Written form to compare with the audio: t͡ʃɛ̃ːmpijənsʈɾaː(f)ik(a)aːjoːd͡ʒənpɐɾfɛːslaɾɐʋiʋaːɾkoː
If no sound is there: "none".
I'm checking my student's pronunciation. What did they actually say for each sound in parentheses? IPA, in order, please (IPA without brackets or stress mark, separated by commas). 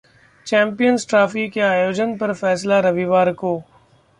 f, e